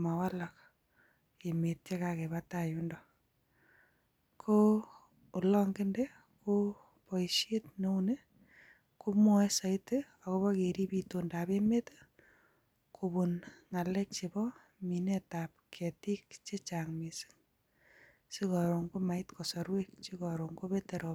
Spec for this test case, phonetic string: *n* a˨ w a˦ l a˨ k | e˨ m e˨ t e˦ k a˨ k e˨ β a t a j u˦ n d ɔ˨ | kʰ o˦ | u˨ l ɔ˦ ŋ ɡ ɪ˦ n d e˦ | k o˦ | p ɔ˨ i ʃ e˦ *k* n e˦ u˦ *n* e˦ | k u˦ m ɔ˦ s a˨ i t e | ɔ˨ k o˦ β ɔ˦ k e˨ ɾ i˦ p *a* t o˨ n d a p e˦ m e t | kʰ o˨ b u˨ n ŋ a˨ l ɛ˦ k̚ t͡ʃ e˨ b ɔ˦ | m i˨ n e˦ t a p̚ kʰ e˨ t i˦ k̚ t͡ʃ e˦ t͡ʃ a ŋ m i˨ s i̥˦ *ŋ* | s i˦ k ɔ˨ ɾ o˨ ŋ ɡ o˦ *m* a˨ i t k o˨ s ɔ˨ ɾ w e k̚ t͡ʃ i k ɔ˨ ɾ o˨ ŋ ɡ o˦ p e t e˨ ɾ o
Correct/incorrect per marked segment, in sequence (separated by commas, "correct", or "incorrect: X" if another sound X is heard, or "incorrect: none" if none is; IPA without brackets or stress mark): incorrect: m, incorrect: t, correct, incorrect: i, correct, correct